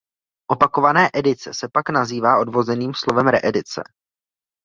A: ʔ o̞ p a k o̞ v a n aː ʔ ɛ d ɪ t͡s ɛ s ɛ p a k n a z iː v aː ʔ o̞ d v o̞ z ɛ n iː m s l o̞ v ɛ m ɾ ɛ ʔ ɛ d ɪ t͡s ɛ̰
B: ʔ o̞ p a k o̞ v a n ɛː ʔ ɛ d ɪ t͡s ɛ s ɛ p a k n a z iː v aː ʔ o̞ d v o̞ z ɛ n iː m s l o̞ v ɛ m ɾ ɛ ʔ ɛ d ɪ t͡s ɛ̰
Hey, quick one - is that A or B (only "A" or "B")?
B